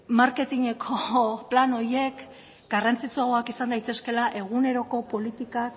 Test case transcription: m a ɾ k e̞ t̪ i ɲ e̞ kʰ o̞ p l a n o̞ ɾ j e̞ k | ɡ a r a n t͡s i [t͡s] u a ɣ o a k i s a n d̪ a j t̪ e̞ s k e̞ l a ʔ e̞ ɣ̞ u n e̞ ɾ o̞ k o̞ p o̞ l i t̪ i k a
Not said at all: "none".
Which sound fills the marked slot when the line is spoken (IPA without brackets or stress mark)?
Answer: t͡s